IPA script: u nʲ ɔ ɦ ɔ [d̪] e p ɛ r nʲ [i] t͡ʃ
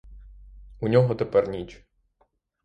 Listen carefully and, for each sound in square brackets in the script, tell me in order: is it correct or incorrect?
incorrect, correct

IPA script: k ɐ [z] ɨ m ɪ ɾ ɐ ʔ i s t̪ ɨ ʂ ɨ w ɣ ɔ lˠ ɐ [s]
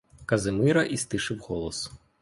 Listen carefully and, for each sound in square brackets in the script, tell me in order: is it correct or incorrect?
correct, correct

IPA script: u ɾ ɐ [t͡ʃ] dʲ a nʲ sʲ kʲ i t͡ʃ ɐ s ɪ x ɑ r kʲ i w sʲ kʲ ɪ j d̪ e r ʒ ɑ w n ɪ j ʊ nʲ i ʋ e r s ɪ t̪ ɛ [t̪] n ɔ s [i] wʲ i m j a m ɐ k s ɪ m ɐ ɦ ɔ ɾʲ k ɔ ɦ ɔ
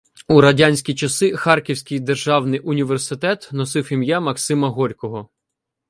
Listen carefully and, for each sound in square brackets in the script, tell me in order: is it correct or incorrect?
incorrect, correct, incorrect

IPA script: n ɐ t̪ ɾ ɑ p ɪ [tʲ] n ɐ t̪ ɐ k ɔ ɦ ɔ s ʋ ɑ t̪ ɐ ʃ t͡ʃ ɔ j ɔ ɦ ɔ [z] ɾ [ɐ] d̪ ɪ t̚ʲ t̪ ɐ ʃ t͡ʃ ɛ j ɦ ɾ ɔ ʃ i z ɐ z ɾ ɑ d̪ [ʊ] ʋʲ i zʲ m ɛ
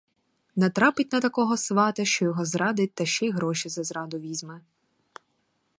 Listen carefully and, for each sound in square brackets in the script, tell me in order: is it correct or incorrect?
correct, correct, incorrect, correct

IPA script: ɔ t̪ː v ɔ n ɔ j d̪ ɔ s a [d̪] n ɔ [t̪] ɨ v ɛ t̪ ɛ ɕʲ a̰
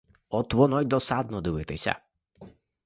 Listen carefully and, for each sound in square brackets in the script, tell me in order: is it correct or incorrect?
correct, incorrect

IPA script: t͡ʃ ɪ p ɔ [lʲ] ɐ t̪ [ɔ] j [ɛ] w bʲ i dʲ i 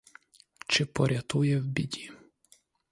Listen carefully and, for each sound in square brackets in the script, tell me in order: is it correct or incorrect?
incorrect, incorrect, correct

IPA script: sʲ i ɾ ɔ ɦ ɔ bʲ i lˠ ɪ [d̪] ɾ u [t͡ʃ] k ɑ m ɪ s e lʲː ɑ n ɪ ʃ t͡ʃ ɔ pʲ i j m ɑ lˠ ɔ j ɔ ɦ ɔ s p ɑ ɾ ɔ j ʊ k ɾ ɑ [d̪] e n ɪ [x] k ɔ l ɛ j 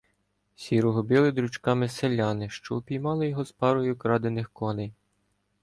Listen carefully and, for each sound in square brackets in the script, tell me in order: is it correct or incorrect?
correct, correct, correct, correct

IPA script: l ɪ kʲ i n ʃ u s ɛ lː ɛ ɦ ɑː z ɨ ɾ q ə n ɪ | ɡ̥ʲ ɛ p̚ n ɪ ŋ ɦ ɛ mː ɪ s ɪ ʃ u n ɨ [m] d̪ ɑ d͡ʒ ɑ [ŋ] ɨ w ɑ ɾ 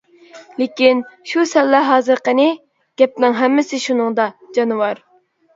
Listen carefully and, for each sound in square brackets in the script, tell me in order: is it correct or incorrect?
incorrect, incorrect

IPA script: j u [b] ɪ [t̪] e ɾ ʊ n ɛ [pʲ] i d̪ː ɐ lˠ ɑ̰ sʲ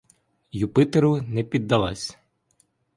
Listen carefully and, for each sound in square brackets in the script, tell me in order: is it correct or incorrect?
incorrect, correct, correct

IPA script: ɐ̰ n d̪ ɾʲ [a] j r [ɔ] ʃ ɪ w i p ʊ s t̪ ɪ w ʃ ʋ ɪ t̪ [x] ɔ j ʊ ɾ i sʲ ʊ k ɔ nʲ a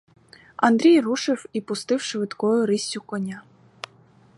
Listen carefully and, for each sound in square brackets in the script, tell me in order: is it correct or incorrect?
incorrect, incorrect, incorrect

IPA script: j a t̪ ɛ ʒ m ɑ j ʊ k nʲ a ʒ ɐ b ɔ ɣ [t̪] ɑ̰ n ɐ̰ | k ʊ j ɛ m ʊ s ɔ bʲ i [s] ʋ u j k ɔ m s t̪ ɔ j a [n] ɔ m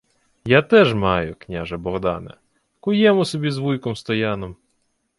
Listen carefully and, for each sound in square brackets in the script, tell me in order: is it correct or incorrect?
incorrect, incorrect, correct

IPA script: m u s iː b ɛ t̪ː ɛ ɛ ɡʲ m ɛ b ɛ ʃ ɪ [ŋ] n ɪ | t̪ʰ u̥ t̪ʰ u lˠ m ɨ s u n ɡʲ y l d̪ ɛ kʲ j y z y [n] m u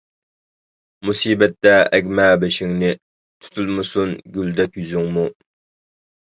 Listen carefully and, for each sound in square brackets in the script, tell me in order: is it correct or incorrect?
correct, incorrect

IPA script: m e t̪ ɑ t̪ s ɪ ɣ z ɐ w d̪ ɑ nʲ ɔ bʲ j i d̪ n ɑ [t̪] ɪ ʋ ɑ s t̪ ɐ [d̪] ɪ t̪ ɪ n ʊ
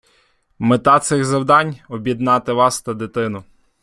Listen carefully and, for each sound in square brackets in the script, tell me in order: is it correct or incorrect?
correct, correct

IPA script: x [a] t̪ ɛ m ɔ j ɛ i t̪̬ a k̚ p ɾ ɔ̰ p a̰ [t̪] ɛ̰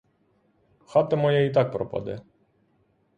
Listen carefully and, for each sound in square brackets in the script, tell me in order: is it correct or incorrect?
correct, incorrect

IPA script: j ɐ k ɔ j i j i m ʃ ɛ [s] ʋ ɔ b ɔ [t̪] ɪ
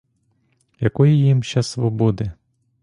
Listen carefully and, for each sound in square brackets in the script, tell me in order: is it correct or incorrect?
correct, incorrect

